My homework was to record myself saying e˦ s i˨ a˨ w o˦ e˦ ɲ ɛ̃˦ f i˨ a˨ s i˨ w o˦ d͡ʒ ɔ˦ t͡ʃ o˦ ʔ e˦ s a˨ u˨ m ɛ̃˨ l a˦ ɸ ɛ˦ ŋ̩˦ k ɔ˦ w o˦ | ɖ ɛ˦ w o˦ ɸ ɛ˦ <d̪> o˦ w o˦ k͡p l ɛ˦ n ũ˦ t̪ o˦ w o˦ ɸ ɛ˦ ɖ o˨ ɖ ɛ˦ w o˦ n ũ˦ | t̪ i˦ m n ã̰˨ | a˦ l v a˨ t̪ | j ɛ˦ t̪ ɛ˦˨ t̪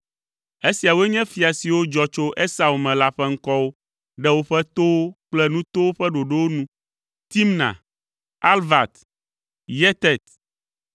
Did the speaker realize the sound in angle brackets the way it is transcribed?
no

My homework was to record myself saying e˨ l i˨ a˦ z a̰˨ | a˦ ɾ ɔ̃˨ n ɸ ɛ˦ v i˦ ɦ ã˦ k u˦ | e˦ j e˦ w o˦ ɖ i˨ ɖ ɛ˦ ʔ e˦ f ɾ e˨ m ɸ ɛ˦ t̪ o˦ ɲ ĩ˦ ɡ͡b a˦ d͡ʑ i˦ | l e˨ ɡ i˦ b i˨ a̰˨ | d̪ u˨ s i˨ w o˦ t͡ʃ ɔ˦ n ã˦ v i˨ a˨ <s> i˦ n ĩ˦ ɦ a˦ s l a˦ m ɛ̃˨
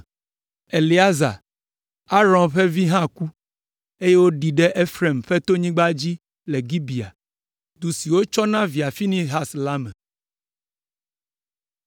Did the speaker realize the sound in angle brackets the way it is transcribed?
no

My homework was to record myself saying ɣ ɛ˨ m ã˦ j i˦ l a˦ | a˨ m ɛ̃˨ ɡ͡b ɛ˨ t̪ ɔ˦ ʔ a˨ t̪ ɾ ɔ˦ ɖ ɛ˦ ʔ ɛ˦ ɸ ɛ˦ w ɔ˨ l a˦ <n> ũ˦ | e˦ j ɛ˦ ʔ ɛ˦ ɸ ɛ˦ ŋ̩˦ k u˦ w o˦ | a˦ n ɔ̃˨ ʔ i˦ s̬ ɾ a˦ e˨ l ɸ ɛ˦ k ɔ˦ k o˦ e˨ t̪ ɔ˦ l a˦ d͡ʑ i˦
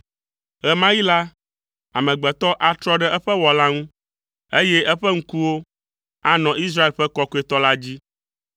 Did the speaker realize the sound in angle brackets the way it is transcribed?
no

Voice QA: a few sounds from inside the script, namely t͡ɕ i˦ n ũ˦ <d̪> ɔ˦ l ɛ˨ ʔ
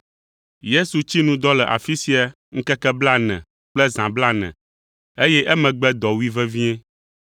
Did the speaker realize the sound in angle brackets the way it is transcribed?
yes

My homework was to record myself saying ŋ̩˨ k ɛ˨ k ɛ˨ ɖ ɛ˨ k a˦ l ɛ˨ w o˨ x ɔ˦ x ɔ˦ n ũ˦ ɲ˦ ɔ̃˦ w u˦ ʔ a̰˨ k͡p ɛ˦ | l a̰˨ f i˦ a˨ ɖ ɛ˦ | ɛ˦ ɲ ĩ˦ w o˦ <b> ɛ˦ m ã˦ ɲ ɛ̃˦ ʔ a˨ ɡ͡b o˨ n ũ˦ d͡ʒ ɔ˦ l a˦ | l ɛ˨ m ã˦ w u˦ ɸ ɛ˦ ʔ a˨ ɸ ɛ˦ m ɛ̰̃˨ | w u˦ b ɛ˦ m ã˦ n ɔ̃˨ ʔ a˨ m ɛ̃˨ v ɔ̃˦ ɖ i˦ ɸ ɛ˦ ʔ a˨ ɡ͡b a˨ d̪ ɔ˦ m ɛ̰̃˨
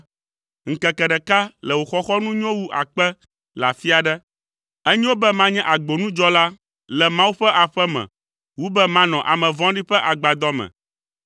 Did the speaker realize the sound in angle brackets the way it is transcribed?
yes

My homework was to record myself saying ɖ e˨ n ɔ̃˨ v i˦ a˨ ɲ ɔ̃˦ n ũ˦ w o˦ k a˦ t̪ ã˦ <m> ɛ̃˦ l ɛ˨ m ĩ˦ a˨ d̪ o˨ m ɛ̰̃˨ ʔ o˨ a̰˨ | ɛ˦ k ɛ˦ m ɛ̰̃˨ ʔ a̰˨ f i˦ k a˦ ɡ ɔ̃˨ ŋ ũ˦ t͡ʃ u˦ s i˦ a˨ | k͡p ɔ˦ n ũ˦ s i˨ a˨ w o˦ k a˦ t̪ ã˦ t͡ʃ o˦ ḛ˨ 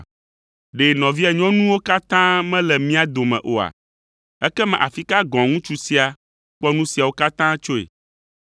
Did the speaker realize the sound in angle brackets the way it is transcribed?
yes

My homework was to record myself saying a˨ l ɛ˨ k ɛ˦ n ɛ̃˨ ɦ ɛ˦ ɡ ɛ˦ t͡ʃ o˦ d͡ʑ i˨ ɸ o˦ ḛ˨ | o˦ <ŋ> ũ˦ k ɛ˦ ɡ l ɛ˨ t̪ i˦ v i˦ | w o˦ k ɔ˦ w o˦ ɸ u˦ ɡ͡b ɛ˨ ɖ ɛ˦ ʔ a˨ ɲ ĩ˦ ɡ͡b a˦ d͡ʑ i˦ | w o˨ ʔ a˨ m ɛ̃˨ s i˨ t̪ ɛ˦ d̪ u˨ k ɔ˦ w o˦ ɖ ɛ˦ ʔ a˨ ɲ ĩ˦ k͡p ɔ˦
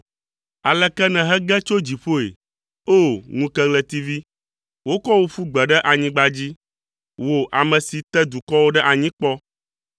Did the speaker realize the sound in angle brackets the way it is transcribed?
yes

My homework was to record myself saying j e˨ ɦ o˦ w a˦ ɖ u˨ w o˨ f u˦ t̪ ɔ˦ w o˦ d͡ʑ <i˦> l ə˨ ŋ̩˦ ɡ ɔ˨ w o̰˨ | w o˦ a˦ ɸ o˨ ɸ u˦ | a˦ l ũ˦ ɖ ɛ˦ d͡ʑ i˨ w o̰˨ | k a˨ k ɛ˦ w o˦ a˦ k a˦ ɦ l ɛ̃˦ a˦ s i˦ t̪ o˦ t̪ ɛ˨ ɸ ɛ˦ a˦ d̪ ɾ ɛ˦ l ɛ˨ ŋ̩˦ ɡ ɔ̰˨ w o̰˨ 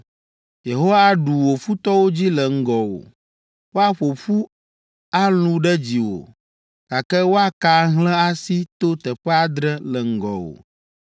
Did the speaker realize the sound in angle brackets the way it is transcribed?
yes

